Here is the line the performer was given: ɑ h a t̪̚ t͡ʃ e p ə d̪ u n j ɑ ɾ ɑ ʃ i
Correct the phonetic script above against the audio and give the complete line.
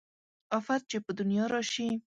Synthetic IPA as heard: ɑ f a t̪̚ t͡ʃ e p ə d̪ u n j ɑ ɾ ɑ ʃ i